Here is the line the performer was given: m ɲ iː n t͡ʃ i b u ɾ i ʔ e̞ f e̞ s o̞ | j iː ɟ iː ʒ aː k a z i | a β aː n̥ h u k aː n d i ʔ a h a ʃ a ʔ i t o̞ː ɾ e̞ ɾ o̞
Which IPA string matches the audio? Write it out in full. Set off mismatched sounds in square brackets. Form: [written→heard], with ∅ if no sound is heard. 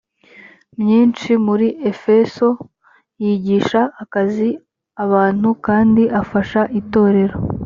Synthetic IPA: m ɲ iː n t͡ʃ i [b→m] u ɾ i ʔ e̞ f e̞ s o̞ | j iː ɟ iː [ʒ→ʃ] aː k a z i | a β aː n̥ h u k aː n d i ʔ a [h→f] a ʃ a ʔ i t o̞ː ɾ e̞ ɾ o̞

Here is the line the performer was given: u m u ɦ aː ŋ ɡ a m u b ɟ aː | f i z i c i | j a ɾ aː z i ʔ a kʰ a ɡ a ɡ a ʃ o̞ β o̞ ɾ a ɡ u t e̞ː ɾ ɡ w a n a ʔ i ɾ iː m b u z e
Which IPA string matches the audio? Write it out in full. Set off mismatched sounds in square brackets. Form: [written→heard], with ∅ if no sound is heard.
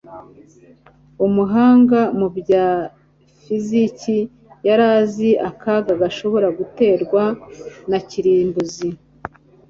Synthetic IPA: u m u ɦ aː ŋ ɡ a m u b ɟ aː | f i z i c i | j a ɾ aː z i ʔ a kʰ a ɡ a ɡ a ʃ o̞ β o̞ ɾ a ɡ u t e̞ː ɾ ɡ w a n a [ʔ→c] i ɾ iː m b u z [e→i]

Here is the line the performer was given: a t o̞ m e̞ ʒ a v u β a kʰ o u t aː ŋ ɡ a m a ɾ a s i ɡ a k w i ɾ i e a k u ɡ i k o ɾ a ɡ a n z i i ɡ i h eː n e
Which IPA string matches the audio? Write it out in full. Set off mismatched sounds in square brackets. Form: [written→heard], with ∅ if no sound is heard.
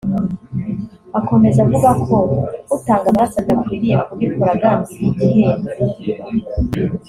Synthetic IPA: a [t→k] o̞ m e̞ [ʒ→z] a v u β a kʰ o u t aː ŋ ɡ a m a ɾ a s [i→a] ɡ a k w i ɾ i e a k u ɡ i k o ɾ a ɡ a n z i i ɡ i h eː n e

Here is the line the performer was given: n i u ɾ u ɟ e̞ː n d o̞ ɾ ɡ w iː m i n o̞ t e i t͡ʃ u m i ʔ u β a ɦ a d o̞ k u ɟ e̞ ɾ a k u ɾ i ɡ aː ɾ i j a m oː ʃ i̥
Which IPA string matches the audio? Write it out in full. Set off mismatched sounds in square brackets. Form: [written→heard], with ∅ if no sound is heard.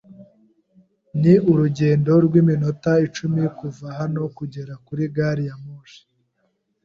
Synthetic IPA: n i u ɾ u ɟ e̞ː n d o̞ ɾ ɡ w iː m i n o̞ t [e→a] i t͡ʃ u m i [ʔ→k] u [β→v] a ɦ a [d→n] o̞ k u ɟ e̞ ɾ a k u ɾ i ɡ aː ɾ i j a m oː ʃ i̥

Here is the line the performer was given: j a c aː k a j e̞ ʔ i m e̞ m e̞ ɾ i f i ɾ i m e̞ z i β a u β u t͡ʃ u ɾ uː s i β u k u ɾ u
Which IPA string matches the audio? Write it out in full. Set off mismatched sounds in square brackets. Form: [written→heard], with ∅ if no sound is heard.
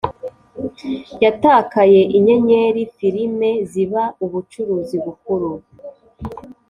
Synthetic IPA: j a [c→t] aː k a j e̞ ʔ i [m→ɲ] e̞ [m→ɲ] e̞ ɾ i f i ɾ i m e̞ z i β a u β u t͡ʃ u ɾ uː [s→z] i β u k u ɾ u

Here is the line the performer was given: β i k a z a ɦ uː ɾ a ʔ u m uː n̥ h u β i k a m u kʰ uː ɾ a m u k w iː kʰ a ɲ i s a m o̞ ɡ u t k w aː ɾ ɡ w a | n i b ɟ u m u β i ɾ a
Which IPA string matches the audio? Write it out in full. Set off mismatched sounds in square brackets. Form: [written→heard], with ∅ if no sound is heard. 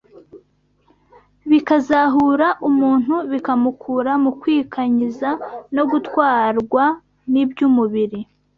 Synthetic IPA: β i k a z a ɦ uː ɾ a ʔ u m uː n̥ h u β i k a m u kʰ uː ɾ a m u k w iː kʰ a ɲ i [s→z] a [m→n] o̞ ɡ u t k w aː ɾ ɡ w a | n i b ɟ u m u β i ɾ [a→i]

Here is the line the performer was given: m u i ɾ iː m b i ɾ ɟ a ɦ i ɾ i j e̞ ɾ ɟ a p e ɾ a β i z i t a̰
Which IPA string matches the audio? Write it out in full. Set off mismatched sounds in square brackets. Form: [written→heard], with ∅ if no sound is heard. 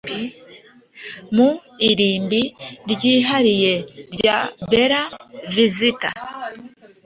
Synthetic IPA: m u i ɾ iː m b i ɾ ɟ [a→i] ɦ [i→a] ɾ i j e̞ ɾ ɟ a [p→b] e ɾ a [β→v] i z i t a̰

